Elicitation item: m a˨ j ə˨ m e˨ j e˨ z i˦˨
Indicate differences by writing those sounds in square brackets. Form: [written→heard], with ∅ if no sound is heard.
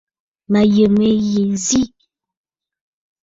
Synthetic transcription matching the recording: m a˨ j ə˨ m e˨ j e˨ z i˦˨